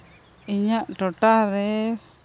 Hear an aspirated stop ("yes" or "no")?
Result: no